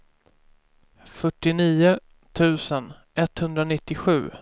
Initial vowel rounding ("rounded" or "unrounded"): rounded